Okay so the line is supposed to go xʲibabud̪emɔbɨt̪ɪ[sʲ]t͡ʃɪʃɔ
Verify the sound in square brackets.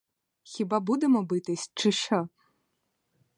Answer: correct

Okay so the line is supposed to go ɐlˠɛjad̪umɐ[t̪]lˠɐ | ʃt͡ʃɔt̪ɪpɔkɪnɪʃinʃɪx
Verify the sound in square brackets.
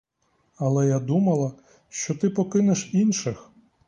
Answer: incorrect: none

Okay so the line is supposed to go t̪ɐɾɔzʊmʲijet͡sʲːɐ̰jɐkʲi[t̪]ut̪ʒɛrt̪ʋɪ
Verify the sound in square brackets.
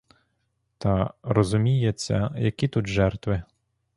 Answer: correct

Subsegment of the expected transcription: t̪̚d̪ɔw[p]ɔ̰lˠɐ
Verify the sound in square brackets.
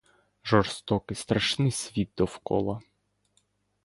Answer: incorrect: k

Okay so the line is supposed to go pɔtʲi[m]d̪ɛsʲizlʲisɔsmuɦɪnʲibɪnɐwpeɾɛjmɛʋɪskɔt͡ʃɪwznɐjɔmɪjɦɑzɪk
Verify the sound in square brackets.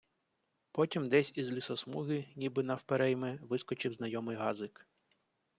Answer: correct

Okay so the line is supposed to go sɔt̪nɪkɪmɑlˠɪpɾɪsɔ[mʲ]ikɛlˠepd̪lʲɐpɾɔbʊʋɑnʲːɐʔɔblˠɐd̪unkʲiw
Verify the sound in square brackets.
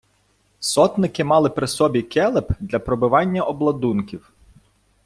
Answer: incorrect: bʲ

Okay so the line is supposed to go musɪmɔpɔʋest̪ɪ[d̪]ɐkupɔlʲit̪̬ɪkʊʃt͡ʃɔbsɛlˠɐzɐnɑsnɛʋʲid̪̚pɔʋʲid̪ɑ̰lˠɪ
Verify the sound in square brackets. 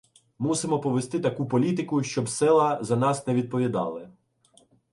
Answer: incorrect: t̪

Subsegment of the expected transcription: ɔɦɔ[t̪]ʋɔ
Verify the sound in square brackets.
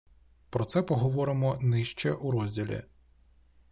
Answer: incorrect: none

